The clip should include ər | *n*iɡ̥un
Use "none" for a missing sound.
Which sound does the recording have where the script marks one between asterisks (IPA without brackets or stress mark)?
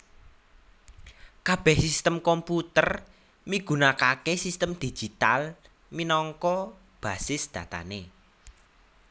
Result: m